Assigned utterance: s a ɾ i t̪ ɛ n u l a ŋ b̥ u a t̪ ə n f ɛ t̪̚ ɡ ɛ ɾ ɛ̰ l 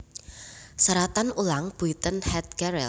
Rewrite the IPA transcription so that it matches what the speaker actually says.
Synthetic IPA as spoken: s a ɾ a t̪ a n u l a ŋ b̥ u i t̪ ə n h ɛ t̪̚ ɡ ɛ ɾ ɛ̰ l